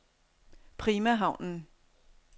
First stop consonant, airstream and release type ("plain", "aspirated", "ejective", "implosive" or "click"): aspirated